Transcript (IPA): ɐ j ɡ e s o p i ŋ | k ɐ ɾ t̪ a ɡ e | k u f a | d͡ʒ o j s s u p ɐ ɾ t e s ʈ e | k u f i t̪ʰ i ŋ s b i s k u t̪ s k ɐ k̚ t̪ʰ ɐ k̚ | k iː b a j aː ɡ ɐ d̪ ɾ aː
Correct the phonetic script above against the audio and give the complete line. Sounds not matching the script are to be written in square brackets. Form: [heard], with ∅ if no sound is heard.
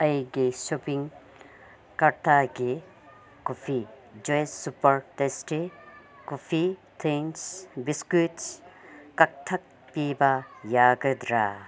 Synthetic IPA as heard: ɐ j ɡ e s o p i ŋ | k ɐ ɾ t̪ a ɡ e | k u f [i] | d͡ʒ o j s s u p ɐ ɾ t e s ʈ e | k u f i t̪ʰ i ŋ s b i s k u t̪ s k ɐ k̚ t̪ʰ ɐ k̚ | [p] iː b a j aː ɡ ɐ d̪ ɾ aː